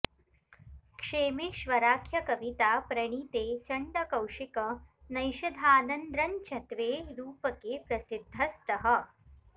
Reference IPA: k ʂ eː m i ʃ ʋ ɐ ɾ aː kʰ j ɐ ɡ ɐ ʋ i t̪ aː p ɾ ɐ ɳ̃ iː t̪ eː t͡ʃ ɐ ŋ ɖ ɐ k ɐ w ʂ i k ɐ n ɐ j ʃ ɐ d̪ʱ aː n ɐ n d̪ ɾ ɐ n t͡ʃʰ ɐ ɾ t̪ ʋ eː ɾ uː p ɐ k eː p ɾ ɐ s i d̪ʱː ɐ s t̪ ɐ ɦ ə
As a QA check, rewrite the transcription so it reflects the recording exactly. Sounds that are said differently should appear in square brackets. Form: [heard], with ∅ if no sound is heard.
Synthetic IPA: k ʂ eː m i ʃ ʋ ɐ ɾ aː kʰ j ɐ [k] ɐ ʋ i t̪ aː p ɾ ɐ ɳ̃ iː t̪ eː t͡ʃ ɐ [ɳ] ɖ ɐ k ɐ w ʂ i k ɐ n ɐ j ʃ ɐ d̪ʱ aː n ɐ n d̪ ɾ ɐ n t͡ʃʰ ɐ [∅] t̪ ʋ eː ɾ uː p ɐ k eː p ɾ ɐ s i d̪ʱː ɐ s t̪ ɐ ɦ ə